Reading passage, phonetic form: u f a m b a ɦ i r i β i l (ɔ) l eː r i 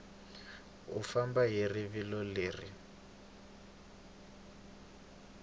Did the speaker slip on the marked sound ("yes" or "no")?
no